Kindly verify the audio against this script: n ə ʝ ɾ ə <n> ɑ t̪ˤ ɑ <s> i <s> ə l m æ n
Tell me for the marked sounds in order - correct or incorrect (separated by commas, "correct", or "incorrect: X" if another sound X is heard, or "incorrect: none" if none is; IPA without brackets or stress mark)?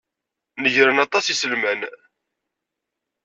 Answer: correct, correct, correct